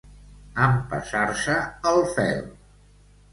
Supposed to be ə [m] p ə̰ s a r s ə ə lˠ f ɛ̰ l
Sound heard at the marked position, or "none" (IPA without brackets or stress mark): m